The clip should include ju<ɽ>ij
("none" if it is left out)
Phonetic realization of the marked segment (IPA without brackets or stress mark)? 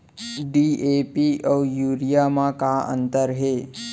ɾ